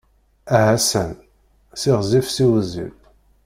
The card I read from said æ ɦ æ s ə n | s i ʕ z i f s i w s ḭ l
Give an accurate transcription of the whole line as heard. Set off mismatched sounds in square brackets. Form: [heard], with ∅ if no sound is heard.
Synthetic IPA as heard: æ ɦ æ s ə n | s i [ʁ] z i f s i w [z] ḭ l